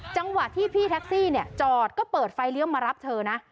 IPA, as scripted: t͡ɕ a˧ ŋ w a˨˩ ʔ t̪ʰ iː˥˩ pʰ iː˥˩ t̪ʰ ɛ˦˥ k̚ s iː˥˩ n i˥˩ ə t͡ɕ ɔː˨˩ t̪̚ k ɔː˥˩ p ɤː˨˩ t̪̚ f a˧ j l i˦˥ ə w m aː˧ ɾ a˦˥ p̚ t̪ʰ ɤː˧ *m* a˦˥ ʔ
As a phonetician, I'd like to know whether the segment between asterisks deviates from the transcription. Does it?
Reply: yes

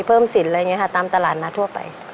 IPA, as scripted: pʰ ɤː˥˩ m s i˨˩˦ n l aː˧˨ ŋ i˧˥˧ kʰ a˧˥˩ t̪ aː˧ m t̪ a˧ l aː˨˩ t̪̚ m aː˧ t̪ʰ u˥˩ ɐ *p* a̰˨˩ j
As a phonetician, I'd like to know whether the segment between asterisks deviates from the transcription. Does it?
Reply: no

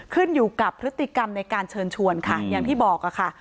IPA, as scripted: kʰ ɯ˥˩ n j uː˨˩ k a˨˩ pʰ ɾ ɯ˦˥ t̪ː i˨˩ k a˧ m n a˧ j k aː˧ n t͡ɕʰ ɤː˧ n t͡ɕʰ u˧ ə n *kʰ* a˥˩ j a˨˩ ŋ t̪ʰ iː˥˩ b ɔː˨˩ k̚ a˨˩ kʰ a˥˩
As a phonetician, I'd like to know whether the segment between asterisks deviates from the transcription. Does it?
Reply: no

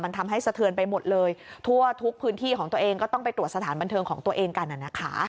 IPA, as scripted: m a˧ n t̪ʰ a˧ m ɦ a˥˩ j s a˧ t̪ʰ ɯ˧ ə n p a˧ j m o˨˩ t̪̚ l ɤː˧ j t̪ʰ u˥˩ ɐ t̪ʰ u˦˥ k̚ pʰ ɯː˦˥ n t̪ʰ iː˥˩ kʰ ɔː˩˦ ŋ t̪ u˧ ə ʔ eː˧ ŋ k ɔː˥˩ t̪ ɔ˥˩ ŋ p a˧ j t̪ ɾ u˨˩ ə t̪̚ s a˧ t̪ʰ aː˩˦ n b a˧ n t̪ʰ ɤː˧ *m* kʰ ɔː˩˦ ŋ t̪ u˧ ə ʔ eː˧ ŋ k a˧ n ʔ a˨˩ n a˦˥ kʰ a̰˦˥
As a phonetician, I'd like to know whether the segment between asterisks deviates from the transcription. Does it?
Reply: yes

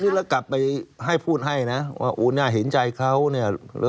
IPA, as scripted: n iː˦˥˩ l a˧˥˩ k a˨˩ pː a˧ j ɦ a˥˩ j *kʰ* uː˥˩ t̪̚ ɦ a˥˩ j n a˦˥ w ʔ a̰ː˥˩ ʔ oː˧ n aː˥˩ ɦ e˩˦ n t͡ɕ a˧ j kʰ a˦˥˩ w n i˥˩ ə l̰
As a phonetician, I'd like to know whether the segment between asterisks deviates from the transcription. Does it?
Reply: yes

